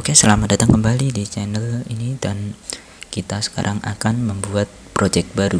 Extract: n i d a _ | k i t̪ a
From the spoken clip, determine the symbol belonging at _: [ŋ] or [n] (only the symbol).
n